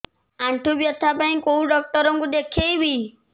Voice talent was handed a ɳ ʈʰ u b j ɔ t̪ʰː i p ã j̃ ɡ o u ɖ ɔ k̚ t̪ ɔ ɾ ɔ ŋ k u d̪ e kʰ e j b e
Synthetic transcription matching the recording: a ɳ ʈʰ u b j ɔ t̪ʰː a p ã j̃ k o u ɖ ɔ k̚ t̪ ɔ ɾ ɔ ŋ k u d̪ e kʰ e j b i

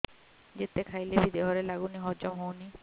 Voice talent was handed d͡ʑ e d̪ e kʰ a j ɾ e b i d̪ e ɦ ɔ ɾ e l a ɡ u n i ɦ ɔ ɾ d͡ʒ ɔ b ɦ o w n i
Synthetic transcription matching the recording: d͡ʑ e t̪ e kʰ a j l e b i d̪ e ɦ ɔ ɾ e l a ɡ u n i ɦ ɔ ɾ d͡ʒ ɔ m ɦ o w n i

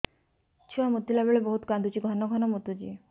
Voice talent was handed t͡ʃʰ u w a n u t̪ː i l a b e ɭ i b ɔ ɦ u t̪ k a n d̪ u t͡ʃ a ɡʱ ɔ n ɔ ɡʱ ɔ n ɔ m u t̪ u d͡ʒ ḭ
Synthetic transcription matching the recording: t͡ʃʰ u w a m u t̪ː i l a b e ɭ e b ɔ ɦ u t̪ k a n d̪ u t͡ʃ i ɡʱ ɔ n ɔ ɡʱ ɔ n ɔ m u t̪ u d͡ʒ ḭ

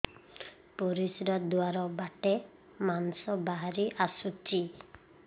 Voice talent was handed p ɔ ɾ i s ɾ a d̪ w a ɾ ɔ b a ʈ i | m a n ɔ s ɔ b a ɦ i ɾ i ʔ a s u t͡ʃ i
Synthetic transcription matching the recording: p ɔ ɾ i s ɾ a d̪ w a ɾ ɔ b a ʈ e | m a n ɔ s ɔ b a ɦ a ɾ i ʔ a s u t͡ʃ i

